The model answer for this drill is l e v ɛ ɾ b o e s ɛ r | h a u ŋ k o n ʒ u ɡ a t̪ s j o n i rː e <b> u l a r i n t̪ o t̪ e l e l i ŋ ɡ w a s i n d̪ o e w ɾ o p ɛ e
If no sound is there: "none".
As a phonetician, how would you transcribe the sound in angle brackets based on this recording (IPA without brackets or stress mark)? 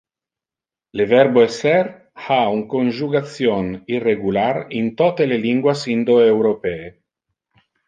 ɡ